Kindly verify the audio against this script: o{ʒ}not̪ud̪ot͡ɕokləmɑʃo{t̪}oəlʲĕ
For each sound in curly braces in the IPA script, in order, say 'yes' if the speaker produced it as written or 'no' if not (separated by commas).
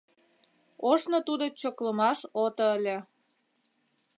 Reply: no, yes